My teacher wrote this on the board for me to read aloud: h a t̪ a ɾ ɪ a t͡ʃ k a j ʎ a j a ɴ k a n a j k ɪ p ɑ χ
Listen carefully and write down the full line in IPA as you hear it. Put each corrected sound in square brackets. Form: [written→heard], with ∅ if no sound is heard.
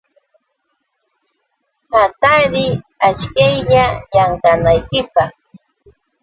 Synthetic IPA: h a t̪ a ɾ ɪ a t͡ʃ k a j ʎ a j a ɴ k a n a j k ɪ p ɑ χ